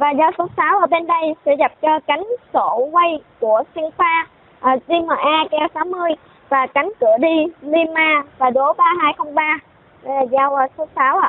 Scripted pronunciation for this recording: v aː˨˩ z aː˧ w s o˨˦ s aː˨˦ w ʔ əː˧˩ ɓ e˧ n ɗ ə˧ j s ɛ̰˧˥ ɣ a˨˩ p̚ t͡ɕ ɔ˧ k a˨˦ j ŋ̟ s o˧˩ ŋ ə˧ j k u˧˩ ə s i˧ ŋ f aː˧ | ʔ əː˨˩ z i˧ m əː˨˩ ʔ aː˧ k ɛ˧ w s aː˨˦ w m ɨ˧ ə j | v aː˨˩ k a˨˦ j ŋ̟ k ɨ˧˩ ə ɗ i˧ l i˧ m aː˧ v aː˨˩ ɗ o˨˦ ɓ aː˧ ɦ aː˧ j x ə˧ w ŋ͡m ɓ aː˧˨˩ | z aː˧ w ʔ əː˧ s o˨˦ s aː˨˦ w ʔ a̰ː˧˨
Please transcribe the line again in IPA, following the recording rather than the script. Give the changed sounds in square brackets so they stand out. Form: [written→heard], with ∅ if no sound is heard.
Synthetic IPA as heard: v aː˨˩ z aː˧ w s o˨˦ s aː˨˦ w ʔ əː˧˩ ɓ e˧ n ɗ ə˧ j s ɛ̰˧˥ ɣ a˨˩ p̚ t͡ɕ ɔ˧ k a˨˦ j ŋ̟ s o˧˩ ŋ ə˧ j k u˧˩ ə s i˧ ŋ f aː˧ | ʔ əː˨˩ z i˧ m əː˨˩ ʔ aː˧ k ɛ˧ w s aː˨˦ w m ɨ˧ ə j | v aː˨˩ k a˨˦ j ŋ̟ k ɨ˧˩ ə ɗ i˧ l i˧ m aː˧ v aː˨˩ ɗ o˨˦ ɓ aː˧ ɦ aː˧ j x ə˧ w ŋ͡m ɓ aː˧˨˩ | z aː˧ w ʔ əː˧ s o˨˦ s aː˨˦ w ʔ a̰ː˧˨